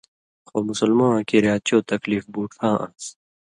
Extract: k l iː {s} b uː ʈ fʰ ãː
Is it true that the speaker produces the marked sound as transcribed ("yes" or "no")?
no